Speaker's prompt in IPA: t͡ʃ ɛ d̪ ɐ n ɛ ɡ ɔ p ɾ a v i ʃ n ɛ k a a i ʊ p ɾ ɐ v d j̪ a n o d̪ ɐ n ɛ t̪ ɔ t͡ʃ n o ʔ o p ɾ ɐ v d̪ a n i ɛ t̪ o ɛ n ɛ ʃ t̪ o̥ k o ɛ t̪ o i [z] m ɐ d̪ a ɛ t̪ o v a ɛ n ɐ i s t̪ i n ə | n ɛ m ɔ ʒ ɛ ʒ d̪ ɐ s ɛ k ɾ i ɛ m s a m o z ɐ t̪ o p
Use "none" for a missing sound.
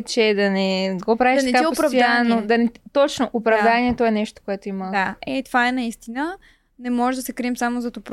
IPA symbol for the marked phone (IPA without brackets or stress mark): none